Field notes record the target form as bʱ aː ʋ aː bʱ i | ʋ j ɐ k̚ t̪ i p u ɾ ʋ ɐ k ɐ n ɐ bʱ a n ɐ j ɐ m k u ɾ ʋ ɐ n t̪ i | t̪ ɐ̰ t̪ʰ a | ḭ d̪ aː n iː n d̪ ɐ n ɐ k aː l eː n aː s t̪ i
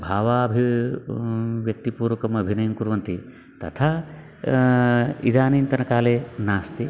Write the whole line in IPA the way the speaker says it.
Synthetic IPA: bʱ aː ʋ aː bʱ i | ʋ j ɐ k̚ t̪ i p uː ɾ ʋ ɐ k ɐ m ɐ bʱ i n ɐ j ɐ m k u ɾ ʋ ɐ n t̪ i | t̪ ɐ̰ t̪ʰ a | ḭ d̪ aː n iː n t̪ ɐ n ɐ k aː l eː n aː s t̪ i